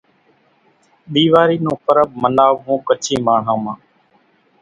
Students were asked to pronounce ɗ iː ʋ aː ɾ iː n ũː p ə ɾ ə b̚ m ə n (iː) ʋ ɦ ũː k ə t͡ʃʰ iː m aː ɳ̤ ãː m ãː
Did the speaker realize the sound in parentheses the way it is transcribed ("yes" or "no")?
no